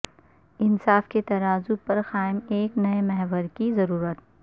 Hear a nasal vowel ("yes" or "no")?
no